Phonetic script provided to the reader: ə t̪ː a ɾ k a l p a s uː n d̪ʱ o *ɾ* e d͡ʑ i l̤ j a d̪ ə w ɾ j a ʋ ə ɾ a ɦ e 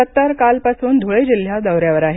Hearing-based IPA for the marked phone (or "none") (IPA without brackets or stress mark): ɭ